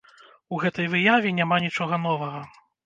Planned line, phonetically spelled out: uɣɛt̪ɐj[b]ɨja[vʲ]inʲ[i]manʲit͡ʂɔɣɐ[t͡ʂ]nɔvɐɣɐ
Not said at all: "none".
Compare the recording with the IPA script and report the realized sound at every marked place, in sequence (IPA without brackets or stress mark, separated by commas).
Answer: v, vʲ, a, none